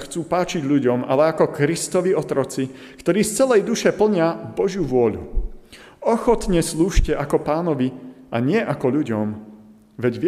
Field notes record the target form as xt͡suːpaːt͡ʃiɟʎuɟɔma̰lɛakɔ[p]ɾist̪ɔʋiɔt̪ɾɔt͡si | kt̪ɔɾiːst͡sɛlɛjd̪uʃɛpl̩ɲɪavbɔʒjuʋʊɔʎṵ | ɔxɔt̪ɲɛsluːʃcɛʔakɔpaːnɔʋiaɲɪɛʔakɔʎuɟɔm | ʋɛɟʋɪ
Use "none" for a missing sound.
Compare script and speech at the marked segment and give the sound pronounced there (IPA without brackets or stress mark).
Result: k